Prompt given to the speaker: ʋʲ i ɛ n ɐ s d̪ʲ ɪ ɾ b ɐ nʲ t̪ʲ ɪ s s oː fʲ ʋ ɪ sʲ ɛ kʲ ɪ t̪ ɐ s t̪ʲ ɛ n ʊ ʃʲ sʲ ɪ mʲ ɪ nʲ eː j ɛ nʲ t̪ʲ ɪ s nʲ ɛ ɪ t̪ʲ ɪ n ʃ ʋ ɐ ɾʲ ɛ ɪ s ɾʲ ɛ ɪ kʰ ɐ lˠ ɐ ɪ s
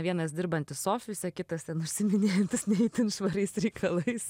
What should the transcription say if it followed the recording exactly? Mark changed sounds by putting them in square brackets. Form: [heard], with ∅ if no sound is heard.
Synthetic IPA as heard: ʋʲ i ɛ n ɐ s d̪ʲ ɪ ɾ b ɐ nʲ t̪ʲ ɪ s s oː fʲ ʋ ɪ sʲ ɛ kʲ ɪ t̪ ɐ s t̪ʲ ɛ n ʊ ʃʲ sʲ ɪ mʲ ɪ nʲ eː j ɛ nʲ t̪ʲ ɪ s nʲ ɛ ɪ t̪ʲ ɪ n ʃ ʋ ɐ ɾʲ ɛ ɪ s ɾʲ ɛ ɪ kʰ ɐ lˠ ɐ ɪ s